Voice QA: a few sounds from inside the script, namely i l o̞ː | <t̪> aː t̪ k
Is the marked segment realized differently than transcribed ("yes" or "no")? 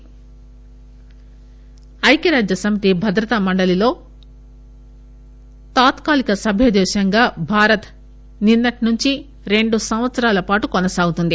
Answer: no